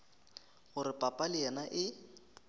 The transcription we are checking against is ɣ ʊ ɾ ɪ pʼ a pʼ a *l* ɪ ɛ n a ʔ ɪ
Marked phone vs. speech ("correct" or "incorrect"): correct